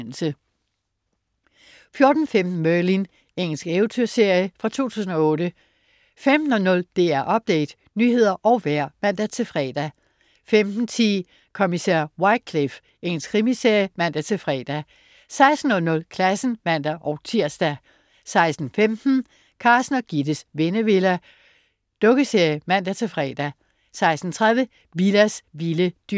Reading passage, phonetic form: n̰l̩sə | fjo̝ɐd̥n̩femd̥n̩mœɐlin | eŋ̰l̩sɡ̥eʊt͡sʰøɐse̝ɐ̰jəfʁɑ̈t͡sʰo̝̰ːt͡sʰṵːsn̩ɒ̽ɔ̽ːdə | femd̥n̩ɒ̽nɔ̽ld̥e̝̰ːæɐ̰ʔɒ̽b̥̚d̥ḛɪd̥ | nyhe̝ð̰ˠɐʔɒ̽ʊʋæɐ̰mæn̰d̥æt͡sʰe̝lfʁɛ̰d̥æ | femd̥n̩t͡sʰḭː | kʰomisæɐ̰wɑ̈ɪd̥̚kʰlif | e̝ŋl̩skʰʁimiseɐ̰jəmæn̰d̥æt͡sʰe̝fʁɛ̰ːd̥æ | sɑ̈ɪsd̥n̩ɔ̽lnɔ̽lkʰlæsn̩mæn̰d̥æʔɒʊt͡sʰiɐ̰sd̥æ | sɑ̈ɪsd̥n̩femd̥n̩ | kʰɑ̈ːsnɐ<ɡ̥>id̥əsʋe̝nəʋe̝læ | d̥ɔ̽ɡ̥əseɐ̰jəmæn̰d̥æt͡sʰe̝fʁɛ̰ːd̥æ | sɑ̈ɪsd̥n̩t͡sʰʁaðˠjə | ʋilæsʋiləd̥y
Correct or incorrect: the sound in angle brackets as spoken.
correct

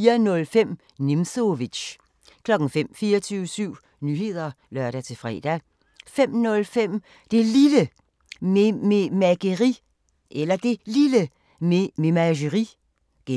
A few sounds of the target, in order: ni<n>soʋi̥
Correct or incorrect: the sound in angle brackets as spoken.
incorrect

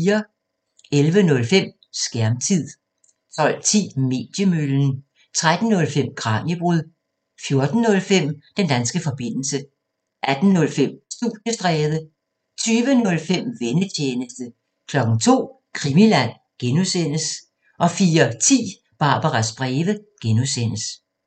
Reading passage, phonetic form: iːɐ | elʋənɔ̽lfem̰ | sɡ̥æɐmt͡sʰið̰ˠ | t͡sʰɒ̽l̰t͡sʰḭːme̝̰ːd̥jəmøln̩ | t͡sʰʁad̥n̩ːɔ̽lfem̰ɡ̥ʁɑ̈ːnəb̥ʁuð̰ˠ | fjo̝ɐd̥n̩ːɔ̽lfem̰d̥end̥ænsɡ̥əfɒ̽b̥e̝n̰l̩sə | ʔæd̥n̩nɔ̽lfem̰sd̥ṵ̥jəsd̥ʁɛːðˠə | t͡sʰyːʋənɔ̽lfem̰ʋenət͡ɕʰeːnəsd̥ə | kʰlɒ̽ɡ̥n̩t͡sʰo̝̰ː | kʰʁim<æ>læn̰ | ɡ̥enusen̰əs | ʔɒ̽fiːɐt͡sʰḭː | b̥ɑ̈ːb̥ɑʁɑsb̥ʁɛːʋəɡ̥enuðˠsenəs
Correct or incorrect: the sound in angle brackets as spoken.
incorrect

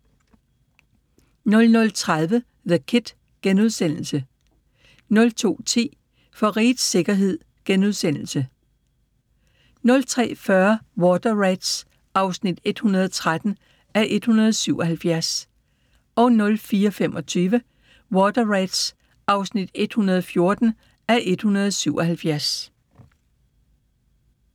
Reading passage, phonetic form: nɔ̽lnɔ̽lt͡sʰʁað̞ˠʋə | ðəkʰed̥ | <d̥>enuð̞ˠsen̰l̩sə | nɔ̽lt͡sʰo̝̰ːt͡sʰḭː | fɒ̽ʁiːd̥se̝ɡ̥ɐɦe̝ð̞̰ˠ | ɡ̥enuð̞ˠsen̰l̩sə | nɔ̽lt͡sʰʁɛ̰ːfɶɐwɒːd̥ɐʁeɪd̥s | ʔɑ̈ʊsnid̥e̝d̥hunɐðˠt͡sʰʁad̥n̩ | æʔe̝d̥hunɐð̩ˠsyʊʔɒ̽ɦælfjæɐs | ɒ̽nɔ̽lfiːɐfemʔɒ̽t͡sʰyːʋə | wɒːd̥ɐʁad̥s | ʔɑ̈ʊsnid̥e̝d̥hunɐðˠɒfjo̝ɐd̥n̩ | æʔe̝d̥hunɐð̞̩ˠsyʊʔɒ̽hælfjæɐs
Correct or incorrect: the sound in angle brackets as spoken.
incorrect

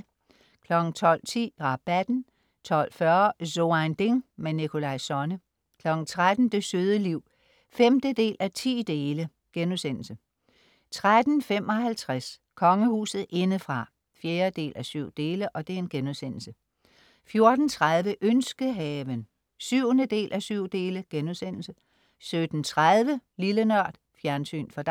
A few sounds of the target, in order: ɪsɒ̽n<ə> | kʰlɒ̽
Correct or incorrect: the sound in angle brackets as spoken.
correct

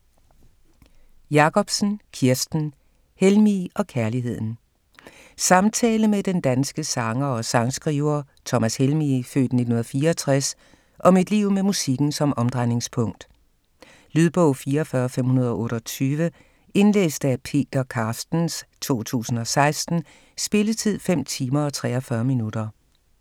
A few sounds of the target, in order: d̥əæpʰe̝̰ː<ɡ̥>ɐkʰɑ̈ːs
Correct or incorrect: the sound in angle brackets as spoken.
incorrect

